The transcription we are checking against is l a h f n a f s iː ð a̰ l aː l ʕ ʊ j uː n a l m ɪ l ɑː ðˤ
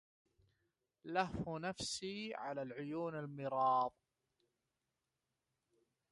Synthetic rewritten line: l a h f n a f s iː ʕ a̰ l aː l ʕ ʊ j uː n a l m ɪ ɾ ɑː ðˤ